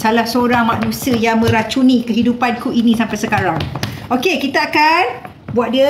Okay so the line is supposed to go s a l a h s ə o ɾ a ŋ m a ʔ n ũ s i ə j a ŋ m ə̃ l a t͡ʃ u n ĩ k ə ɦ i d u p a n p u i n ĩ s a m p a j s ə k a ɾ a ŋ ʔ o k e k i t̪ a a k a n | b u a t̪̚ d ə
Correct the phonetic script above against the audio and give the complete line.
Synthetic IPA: s a l a h s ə o ɾ a ŋ m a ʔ n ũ s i ə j a ŋ m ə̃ ɾ a t͡ʃ u n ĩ k ə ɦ i d u p a n k u i n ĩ s a m p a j s ə k a ɾ a ŋ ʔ o k e k i t̪ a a k a n | b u a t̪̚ d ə